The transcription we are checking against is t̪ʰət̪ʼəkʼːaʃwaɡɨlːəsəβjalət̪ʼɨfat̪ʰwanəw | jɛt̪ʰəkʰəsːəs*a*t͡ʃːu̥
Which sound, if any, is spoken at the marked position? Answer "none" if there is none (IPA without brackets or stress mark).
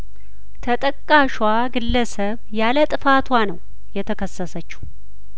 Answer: ə